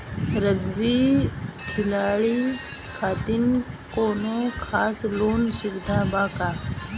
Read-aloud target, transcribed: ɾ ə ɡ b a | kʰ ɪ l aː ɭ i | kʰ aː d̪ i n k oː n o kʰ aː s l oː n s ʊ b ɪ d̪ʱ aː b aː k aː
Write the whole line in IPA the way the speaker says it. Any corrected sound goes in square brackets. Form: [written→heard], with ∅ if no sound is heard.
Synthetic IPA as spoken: ɾ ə ɡ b [a→i] | kʰ ɪ l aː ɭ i | kʰ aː [d̪→t̪] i n k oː n o kʰ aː s l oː n s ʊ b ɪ d̪ʱ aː b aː k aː